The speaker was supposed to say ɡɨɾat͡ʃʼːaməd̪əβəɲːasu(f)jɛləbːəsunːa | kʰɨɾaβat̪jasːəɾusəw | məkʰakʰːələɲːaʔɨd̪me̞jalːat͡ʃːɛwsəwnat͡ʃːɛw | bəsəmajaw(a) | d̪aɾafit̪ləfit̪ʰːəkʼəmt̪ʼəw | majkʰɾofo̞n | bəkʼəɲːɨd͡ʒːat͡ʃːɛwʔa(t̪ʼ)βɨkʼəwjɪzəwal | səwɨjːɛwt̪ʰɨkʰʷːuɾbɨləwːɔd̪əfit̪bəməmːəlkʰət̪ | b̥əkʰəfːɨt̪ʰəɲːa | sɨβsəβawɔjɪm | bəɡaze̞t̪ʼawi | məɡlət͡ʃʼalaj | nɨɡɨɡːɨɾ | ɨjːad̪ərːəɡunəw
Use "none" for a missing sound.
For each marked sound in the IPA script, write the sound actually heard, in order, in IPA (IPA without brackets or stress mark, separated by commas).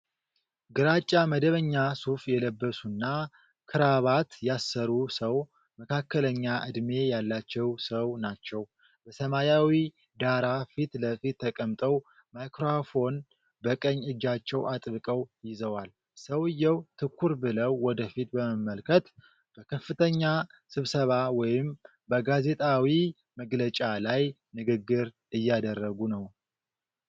f, i, t̪ʼ